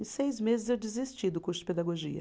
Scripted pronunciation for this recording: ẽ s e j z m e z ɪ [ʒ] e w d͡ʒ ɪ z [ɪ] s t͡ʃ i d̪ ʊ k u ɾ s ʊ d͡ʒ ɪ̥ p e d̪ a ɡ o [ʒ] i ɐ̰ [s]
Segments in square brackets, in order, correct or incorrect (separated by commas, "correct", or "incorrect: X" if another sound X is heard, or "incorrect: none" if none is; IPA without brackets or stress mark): incorrect: z, incorrect: i, correct, incorrect: none